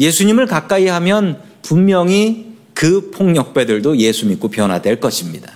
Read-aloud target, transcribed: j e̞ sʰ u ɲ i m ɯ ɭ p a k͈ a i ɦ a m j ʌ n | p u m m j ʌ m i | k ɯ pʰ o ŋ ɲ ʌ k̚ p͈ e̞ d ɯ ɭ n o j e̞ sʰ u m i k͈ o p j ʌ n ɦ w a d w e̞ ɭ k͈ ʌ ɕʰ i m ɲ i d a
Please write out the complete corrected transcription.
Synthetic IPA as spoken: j e̞ sʰ u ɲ i m ɯ ɭ k a k͈ a i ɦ a m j ʌ n | p u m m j ʌ ŋ i | k ɯ pʰ o ŋ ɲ ʌ k̚ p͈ e̞ d ɯ ɭ d o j e̞ sʰ u m i k͈ o p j ʌ n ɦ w a d w e̞ ɭ k͈ ʌ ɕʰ i m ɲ i d a